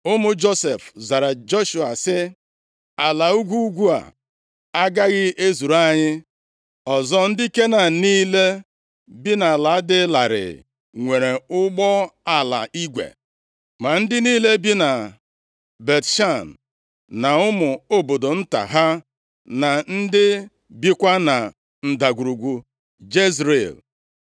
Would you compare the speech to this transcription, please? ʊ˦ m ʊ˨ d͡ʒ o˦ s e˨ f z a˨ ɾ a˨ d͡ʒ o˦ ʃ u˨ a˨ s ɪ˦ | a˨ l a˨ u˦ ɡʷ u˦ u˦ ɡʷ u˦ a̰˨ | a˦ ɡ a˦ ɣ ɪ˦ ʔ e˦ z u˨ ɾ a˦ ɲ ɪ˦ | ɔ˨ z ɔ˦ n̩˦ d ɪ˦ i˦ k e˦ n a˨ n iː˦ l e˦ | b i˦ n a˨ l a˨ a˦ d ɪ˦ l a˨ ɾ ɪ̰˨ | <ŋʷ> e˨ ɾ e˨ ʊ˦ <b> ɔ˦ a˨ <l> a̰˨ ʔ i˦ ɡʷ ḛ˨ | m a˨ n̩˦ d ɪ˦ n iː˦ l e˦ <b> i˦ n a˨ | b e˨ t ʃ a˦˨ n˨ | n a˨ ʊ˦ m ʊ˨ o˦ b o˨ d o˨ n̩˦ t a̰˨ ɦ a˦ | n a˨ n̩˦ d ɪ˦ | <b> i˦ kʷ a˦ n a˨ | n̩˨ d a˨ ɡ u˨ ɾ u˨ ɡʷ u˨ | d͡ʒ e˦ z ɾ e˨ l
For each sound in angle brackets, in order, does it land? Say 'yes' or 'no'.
yes, no, yes, yes, yes

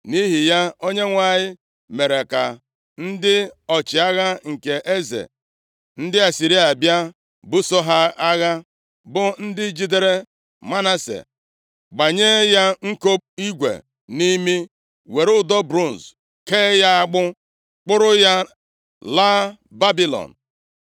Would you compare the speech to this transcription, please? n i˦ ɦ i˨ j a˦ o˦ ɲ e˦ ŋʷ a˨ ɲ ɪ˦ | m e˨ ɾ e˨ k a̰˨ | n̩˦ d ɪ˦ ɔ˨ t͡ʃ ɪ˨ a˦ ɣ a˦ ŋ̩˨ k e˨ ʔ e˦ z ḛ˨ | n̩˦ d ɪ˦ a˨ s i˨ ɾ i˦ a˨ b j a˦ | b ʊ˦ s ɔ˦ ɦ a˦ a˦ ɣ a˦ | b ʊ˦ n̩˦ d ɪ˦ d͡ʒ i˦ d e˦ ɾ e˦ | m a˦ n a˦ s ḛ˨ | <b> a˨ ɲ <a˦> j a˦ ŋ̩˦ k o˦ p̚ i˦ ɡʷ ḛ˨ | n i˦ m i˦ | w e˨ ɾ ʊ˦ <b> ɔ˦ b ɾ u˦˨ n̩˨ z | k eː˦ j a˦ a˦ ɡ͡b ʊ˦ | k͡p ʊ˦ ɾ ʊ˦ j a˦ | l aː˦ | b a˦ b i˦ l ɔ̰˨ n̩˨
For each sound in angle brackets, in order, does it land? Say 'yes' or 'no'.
no, no, no

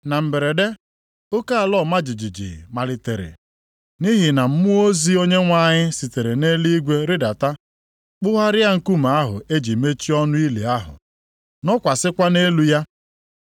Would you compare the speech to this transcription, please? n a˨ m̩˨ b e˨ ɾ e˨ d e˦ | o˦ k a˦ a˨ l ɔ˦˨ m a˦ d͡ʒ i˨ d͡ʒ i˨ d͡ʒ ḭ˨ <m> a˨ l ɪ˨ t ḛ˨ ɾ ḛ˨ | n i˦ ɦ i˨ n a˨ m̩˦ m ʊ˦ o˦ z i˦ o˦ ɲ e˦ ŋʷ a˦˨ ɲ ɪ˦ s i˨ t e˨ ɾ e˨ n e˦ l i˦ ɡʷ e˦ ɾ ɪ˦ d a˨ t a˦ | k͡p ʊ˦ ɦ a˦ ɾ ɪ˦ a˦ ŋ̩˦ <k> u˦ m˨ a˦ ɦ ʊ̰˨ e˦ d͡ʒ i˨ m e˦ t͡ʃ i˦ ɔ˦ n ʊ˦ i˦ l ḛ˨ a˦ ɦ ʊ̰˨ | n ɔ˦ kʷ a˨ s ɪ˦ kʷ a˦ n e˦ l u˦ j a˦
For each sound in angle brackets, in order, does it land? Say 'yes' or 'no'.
yes, yes

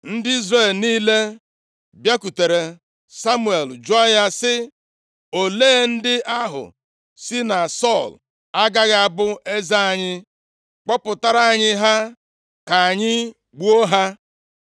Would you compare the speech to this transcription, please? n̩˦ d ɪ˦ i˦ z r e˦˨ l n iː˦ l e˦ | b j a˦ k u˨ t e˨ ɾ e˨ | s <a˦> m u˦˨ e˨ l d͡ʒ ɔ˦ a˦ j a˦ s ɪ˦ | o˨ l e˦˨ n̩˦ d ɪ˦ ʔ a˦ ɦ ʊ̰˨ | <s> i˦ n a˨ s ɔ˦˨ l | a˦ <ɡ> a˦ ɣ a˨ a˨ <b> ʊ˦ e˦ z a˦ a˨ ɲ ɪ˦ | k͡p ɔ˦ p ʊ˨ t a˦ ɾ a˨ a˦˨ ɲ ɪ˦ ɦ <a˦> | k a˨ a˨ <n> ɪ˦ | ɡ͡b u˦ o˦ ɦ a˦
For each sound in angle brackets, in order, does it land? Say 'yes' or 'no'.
yes, yes, yes, yes, yes, no

